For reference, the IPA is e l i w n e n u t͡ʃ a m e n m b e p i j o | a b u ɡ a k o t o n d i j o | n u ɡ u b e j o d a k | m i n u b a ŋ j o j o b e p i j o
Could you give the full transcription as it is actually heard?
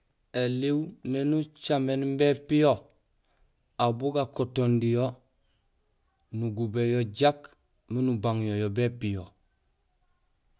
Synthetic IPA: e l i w n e n u t͡ʃ a m e n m b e p i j o | a b u ɡ a k o t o n d i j o | n u ɡ u b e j o ɟ a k | m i n u b a ŋ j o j o b e p i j o